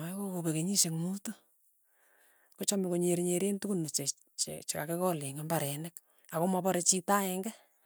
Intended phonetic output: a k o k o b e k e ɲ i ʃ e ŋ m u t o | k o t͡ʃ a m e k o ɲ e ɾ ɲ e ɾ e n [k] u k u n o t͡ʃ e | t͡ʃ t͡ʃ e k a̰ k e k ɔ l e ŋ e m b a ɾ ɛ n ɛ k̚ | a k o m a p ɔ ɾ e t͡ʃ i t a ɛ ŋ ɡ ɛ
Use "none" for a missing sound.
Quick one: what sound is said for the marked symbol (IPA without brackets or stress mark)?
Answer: t